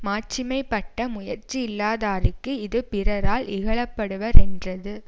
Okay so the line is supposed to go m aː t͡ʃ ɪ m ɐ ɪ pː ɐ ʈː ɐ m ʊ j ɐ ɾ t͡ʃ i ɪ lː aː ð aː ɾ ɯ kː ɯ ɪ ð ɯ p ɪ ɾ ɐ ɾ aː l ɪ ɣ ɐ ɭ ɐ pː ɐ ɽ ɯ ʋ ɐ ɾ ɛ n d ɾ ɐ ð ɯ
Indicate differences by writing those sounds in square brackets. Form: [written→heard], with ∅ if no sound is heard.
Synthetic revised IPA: m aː t͡ʃ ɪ m ɐ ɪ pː ɐ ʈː ɐ m ʊ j ɐ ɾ t͡ʃ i ɪ lː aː ð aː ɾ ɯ kː ɯ ɪ ð ɯ p ɪ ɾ ɐ ɾ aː l ɪ ɣ ɐ ɭ ɐ pː ɐ ɽ ɯ ʋ ɐ ɾ ɛ n d [ɾ→r] ɐ ð ɯ